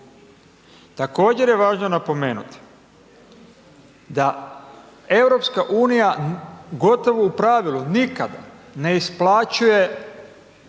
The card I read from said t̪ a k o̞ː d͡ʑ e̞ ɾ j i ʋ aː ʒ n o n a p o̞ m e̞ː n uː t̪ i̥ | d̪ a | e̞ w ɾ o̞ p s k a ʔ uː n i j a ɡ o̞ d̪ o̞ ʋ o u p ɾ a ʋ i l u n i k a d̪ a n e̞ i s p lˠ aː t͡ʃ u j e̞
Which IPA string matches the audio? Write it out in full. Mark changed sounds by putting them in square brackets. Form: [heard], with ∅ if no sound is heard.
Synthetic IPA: t̪ a k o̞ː d͡ʑ e̞ ɾ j [e] ʋ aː ʒ n o n a p o̞ m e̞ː n [u] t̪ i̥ | d̪ a | e̞ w ɾ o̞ p s k a ʔ uː n i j a ɡ o̞ [t̪] o̞ ʋ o u p ɾ a ʋ i l u n i k a d̪ a n e̞ i s p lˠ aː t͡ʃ u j e̞

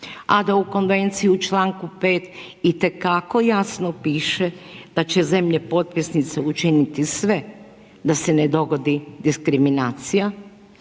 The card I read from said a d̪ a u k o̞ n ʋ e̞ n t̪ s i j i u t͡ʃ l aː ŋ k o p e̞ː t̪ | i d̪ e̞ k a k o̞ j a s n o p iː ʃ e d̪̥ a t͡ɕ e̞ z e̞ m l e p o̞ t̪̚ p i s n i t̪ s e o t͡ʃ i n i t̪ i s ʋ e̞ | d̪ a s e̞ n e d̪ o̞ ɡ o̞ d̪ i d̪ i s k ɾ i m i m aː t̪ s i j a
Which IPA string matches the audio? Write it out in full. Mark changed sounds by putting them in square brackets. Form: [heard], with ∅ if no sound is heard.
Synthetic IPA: a d̪ a u k o̞ n ʋ e̞ n t̪ s i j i u t͡ʃ l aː ŋ k [u] p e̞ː t̪ | i [t̪] e̞ k a k o̞ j a s n o p iː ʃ e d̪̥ a t͡ɕ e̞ z e̞ m [ʎ] e p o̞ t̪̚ p i s n i t̪ s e [u] t͡ʃ i n i t̪ i s ʋ e̞ | d̪ a s e̞ n e d̪ o̞ ɡ o̞ d̪ i d̪ i s k ɾ i m i [n] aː t̪ s i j a

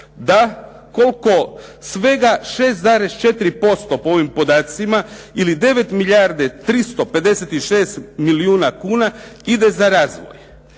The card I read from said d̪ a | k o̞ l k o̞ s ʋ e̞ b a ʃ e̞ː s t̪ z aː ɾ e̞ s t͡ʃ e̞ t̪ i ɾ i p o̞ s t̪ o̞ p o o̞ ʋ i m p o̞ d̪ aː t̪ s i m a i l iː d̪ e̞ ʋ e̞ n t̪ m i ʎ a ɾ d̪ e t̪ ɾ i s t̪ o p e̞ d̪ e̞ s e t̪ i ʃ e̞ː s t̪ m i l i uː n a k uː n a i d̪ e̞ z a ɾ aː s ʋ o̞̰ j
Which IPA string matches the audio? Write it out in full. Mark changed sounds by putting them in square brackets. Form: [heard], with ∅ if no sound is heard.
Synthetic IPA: d̪ a | k o̞ l k o̞ s ʋ e̞ [ɡ] a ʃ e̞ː s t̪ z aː ɾ e̞ s t͡ʃ e̞ t̪ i ɾ i p o̞ s t̪ o̞ p o o̞ ʋ i m p o̞ d̪ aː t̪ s i m a i l [i] d̪ e̞ ʋ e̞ [∅] t̪ m i ʎ a ɾ d̪ e t̪ ɾ i s t̪ o p e̞ d̪ e̞ s e t̪ i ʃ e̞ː s t̪ m i l i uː n a k uː n a i d̪ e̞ z a ɾ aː [z] ʋ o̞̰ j

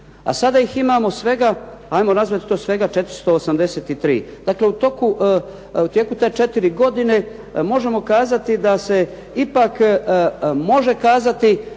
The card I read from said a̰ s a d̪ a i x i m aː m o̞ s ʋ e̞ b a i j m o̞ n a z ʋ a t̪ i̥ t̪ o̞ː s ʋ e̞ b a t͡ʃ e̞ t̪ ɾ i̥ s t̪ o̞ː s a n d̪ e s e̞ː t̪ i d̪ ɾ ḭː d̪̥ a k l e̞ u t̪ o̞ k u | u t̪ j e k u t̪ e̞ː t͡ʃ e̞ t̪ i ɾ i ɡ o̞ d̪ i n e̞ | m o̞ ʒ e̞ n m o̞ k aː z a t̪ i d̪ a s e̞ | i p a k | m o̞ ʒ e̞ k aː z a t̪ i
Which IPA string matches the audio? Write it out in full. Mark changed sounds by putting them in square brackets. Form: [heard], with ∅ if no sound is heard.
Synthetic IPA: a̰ s a d̪ a i x i m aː m o̞ s ʋ e̞ [ɡ] a [a] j m o̞ n a z ʋ a t̪ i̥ t̪ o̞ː s ʋ e̞ [ɡ] a t͡ʃ e̞ t̪ ɾ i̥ s t̪ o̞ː s a [m] d̪ e s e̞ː t̪ i [t̪] ɾ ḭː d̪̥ a k l e̞ u t̪ o̞ k u | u t̪ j e k u t̪ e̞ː t͡ʃ e̞ t̪ i ɾ i ɡ o̞ d̪ i n e̞ | m o̞ ʒ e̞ [∅] m o̞ k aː z a t̪ i d̪ a s e̞ | i p a k | m o̞ ʒ e̞ k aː z a t̪ i

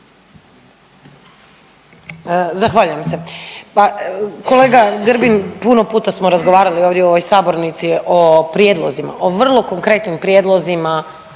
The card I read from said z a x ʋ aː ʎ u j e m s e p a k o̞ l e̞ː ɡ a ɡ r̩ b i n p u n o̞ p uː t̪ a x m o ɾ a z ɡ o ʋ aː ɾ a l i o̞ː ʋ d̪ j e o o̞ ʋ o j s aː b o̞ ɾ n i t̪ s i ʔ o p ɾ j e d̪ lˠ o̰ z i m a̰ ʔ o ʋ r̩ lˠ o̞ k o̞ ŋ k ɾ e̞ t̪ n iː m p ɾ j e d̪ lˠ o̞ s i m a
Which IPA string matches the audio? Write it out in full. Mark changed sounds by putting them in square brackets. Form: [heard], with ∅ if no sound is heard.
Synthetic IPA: z a x ʋ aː ʎ u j e m s e p a k o̞ l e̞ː ɡ a ɡ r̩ b i n p u n o̞ p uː t̪ a [s] m o ɾ a z ɡ o ʋ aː ɾ a l i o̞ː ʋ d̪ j e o o̞ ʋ o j s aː b o̞ ɾ n i t̪ s i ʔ o p ɾ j e d̪ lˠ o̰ z i m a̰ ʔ o ʋ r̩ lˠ o̞ k o̞ ŋ k ɾ e̞ t̪ n [i] m p ɾ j e d̪ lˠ o̞ [z] i m a

